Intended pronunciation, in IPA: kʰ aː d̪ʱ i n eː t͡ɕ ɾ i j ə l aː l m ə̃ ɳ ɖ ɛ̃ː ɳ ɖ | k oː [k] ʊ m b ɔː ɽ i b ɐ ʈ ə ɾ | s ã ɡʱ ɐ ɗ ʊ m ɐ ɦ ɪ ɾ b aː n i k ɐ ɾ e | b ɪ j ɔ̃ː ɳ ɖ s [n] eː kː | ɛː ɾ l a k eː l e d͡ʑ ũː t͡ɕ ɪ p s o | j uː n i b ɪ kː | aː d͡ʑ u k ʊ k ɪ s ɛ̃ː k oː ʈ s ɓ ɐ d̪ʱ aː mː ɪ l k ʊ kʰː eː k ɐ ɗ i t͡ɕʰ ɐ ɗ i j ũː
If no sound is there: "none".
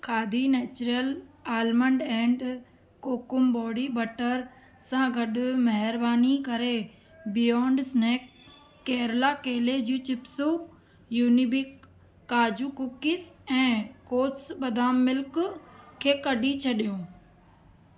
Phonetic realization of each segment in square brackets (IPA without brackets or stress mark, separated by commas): k, n